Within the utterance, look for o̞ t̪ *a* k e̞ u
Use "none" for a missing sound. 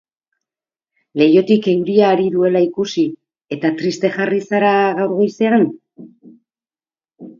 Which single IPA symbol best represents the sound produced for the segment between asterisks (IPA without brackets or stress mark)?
i